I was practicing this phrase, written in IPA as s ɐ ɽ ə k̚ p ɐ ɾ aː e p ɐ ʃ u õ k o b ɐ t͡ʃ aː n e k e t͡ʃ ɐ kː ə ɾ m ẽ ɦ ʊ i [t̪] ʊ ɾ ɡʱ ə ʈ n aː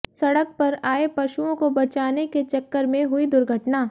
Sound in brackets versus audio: incorrect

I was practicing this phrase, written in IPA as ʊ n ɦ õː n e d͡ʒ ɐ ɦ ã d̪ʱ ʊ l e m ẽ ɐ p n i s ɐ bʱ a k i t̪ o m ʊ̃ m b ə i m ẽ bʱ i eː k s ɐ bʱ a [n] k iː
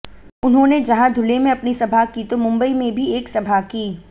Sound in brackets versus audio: incorrect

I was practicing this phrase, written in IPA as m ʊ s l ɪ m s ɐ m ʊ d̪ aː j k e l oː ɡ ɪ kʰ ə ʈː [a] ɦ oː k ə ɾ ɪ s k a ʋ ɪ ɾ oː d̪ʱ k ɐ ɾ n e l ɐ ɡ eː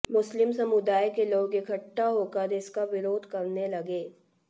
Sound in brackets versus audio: correct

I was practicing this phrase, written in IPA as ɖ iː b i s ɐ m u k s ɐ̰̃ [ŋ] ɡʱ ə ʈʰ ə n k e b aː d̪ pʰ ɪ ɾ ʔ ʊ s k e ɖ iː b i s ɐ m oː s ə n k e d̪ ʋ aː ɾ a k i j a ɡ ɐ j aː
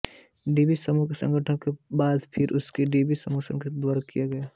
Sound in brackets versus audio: correct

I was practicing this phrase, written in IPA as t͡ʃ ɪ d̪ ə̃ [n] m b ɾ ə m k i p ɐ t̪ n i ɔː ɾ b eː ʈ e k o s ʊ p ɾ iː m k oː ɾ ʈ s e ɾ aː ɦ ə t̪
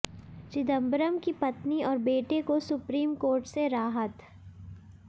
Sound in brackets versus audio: incorrect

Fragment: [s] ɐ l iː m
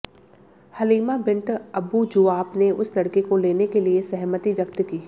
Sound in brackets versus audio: incorrect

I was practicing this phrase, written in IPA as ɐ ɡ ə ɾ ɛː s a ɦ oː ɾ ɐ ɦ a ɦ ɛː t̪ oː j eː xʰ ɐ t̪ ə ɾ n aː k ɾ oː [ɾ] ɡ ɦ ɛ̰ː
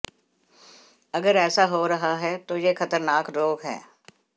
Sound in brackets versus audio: incorrect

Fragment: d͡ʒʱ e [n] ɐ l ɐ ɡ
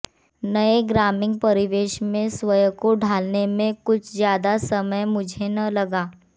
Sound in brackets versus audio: correct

